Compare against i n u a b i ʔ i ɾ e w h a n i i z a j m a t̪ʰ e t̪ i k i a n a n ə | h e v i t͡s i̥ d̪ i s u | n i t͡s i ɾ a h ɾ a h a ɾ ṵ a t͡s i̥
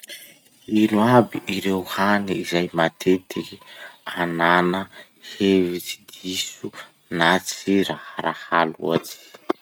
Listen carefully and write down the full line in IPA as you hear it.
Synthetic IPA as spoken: i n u a b i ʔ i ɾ e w h a n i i z a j m a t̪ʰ e t̪ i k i a n a n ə | h e v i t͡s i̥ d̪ i s u | n a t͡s i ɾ a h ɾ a h a l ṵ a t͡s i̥